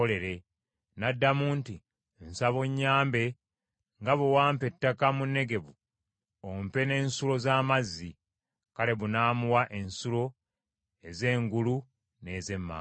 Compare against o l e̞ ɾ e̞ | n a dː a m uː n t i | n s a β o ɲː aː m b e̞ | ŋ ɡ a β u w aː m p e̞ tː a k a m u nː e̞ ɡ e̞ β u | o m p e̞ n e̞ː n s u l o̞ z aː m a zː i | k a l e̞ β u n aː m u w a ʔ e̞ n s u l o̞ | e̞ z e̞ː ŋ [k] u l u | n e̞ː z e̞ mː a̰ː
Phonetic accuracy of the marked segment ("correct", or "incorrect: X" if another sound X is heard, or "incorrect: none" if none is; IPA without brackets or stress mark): incorrect: ɡ